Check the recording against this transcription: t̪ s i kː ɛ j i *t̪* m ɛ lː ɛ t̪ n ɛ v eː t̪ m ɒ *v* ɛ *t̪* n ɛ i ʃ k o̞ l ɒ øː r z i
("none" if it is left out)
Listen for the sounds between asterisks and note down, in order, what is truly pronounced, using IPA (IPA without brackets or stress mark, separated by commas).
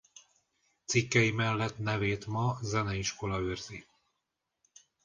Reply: none, z, none